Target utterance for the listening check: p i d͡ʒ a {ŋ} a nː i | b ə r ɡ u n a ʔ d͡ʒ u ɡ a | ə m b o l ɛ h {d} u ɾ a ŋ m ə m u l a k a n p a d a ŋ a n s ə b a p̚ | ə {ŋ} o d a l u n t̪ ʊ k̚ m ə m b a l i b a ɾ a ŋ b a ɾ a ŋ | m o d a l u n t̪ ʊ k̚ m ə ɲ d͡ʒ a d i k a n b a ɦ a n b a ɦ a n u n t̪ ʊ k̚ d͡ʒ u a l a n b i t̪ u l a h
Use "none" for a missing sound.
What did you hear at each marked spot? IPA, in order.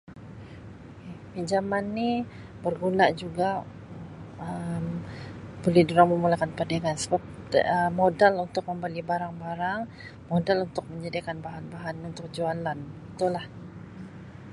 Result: m, d, m

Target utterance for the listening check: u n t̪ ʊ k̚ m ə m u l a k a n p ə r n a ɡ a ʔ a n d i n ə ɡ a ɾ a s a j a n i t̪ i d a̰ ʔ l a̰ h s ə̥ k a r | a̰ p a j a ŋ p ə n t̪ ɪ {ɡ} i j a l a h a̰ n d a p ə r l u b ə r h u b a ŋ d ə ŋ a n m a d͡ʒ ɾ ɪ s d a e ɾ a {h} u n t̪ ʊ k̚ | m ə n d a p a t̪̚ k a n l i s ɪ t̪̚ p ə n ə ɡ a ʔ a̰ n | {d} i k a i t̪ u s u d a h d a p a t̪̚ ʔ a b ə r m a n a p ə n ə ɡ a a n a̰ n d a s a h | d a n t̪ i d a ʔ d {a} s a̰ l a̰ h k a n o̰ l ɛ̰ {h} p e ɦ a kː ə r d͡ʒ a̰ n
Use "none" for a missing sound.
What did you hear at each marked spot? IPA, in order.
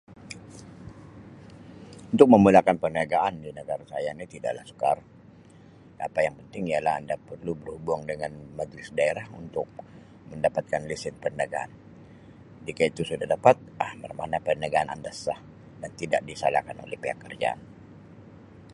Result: ŋ, h, d͡ʒ, i, h

